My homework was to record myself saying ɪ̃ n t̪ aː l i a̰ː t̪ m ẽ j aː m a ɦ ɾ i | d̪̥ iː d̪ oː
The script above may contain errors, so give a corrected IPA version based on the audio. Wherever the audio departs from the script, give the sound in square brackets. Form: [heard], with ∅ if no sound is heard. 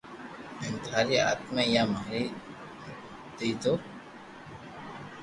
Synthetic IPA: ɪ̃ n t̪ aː [ɾ] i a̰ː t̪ m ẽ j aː m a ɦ ɾ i | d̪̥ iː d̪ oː